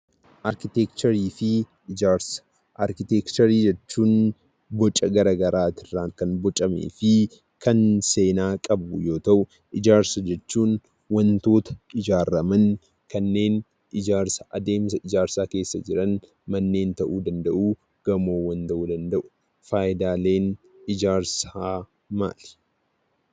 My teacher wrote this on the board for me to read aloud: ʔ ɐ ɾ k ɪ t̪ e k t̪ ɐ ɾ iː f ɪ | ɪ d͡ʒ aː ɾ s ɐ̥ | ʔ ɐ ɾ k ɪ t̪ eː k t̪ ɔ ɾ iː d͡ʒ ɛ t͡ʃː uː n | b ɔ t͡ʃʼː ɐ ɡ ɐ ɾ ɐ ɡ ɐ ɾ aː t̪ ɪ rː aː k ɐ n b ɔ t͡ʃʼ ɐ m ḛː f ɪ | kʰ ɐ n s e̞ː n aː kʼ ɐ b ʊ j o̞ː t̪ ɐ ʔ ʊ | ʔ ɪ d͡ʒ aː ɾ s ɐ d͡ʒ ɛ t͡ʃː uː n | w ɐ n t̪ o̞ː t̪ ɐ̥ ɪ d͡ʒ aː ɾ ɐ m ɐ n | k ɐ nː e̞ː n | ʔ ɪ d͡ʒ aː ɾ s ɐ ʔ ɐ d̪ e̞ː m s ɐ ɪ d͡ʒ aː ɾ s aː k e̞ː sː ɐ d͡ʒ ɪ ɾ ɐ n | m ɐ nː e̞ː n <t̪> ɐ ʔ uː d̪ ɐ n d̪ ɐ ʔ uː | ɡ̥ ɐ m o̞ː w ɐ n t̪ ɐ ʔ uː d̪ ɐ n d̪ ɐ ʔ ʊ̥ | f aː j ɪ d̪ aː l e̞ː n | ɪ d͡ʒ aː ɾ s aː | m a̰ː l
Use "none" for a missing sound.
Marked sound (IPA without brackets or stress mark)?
t̪